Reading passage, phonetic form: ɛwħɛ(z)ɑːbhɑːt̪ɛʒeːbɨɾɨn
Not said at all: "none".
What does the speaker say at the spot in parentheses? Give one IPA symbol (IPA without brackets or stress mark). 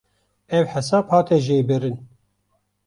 s